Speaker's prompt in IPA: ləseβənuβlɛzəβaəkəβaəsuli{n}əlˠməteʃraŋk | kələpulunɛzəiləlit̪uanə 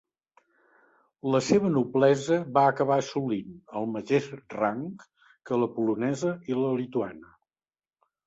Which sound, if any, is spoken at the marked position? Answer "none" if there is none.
n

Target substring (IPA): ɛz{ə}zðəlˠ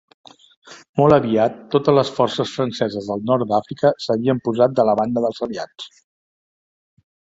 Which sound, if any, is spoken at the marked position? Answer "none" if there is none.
ə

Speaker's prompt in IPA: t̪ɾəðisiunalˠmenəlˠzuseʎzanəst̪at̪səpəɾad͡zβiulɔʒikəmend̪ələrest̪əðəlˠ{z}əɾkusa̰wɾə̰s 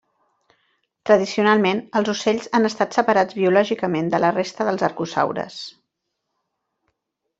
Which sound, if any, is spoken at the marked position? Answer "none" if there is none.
z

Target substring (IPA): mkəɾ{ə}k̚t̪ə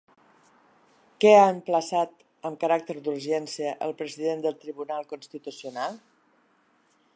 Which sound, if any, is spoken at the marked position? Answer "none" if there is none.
a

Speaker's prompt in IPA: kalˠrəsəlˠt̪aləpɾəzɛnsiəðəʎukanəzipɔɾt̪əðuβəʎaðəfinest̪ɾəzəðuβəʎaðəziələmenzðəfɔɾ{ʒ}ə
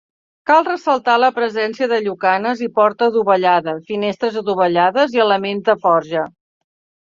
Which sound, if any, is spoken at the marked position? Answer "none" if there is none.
ʒ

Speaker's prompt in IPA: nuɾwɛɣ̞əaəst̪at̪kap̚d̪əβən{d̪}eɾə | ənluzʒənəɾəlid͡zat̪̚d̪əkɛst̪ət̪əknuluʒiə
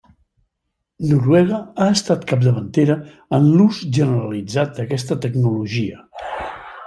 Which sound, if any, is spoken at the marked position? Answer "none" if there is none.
t̪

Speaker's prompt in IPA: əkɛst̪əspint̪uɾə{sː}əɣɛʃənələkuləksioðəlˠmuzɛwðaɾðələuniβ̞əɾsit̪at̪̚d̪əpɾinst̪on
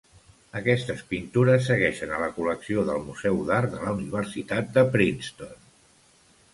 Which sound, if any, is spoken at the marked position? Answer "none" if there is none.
sː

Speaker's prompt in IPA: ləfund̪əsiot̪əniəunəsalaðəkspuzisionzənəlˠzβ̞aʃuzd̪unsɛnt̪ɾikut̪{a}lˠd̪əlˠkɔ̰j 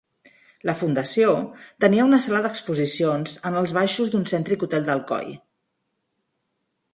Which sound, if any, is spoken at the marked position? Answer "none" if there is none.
ɛ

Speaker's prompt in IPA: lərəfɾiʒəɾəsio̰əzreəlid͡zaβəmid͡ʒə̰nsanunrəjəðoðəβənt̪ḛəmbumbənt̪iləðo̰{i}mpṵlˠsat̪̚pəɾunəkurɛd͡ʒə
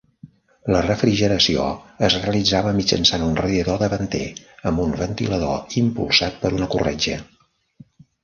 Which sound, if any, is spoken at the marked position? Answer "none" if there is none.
i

